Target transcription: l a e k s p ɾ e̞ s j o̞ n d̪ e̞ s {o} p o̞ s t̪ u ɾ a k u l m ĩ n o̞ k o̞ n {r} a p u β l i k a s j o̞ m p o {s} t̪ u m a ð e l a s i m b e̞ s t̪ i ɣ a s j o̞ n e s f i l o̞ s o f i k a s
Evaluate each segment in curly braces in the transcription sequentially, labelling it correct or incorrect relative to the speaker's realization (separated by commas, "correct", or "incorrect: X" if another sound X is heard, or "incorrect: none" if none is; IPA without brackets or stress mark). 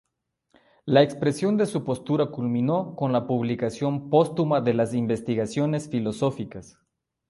incorrect: u, incorrect: l, correct